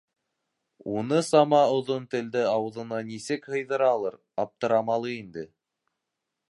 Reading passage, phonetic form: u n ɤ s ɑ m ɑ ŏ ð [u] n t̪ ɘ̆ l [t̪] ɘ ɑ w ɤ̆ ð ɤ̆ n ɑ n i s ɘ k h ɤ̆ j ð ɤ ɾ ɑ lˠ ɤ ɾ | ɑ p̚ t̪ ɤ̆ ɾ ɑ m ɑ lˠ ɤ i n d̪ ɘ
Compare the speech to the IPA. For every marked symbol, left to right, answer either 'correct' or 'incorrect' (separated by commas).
incorrect, incorrect